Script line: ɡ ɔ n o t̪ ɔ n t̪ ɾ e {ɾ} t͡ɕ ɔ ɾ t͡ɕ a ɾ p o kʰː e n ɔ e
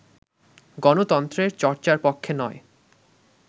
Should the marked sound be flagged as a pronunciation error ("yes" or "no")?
no